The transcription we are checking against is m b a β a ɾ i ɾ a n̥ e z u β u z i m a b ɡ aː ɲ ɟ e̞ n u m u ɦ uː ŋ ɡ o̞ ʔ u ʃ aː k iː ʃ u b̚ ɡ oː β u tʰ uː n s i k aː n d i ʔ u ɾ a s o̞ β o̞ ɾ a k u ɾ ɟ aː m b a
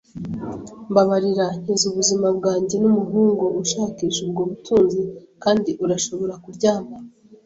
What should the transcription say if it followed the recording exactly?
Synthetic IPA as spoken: m b a β a ɾ i ɾ a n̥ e z u β u z i m a b ɡ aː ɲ ɟ e̞ n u m u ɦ uː ŋ ɡ o̞ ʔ u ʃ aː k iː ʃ u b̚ ɡ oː β u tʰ uː n z i k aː n d i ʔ u ɾ a ʃ o̞ β o̞ ɾ a k u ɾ ɟ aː m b a